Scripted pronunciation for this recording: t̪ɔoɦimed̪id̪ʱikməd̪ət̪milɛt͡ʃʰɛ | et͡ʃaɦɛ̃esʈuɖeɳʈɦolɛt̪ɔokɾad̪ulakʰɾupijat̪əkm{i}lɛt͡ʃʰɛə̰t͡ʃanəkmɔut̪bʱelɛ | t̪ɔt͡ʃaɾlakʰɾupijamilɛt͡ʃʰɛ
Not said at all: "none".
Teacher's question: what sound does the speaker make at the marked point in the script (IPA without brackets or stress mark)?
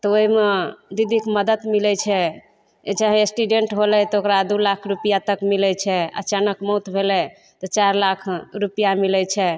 i